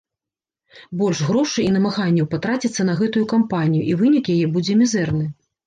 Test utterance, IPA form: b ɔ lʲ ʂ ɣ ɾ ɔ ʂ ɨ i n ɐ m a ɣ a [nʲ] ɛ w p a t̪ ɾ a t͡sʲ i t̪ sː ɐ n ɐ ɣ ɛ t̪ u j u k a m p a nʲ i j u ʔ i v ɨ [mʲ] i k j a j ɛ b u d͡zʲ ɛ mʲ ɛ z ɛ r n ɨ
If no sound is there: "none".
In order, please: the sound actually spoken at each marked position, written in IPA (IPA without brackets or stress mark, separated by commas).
nʲː, nʲ